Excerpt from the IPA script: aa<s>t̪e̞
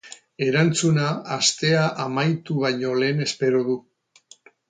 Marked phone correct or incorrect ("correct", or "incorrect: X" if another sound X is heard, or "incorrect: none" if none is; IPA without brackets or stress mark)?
correct